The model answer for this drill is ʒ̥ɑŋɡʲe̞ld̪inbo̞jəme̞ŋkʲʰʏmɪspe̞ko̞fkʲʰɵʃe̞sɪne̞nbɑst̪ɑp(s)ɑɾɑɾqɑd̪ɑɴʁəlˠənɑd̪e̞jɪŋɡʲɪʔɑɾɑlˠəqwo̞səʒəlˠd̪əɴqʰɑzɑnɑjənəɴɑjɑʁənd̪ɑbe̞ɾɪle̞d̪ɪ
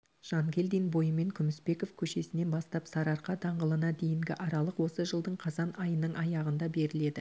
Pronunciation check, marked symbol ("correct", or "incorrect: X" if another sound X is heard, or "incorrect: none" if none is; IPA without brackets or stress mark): correct